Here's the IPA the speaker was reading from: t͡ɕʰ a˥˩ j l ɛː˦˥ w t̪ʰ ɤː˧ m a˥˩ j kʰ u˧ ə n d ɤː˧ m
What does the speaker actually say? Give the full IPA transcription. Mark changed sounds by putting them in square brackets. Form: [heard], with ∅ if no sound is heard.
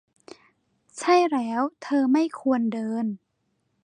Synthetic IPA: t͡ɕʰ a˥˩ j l ɛː˦˥ w t̪ʰ ɤː˧ m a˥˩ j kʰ u˧ ə n d ɤː˧ [n]